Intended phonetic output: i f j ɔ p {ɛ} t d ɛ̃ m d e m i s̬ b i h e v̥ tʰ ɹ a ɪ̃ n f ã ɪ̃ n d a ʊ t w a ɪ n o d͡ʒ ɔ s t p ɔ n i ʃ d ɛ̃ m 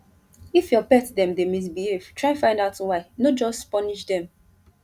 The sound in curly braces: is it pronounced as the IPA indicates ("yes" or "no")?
yes